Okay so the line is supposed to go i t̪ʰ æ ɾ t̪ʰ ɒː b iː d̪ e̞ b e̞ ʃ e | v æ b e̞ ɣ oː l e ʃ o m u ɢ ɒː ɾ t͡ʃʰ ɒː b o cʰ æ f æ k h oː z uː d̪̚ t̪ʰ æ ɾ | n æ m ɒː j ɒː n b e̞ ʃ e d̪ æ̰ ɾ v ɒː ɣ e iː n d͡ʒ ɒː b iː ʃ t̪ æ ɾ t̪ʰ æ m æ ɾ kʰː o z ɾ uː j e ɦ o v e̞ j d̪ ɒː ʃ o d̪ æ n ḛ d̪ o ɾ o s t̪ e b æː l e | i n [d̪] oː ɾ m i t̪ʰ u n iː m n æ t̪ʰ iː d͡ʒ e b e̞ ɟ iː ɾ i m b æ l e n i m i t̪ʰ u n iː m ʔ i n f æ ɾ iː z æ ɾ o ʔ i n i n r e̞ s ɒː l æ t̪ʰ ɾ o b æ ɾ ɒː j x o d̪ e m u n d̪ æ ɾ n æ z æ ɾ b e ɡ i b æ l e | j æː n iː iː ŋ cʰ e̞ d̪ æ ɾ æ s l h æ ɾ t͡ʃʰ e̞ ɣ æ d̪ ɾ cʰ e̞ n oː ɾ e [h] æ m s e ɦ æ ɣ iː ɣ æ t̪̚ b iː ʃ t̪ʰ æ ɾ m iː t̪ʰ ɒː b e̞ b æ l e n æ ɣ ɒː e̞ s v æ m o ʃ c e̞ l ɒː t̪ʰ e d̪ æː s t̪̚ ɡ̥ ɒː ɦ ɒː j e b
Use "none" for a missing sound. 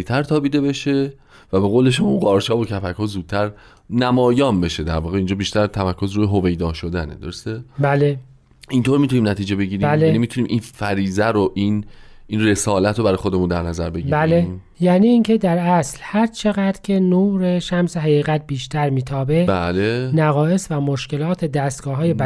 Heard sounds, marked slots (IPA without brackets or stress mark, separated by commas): t̪, ʃ